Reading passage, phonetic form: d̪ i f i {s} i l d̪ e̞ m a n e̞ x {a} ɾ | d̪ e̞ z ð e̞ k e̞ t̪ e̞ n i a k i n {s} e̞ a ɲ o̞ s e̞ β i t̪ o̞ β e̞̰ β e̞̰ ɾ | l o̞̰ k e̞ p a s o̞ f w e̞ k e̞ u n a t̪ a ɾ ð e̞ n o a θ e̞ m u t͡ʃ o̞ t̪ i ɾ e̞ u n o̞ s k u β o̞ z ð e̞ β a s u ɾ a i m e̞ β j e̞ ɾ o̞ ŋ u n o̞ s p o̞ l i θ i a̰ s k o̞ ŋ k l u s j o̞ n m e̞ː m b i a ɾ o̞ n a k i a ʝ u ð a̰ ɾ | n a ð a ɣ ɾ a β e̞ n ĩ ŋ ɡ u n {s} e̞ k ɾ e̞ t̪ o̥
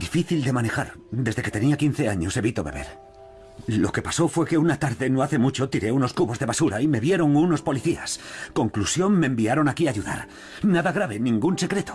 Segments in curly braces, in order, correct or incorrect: incorrect: θ, correct, incorrect: θ, correct

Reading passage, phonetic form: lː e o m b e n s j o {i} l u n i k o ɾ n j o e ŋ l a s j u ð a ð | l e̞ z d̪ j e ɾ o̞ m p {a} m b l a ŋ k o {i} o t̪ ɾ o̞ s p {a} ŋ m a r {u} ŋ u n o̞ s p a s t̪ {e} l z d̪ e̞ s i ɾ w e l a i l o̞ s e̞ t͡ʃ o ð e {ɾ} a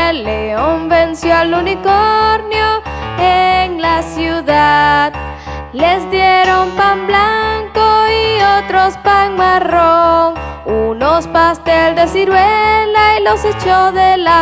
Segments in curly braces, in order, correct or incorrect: incorrect: a, correct, correct, correct, incorrect: o, correct, incorrect: l

